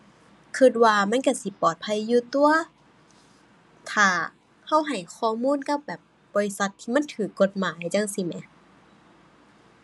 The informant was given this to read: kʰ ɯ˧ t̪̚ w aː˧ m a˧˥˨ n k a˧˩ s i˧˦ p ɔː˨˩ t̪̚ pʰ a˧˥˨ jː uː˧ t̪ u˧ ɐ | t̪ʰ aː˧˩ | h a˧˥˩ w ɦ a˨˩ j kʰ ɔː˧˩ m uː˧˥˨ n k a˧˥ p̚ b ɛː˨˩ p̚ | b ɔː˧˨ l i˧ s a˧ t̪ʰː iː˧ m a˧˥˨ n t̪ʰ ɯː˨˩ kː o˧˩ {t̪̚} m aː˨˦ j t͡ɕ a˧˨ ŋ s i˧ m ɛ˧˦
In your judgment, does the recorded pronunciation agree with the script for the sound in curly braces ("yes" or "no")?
yes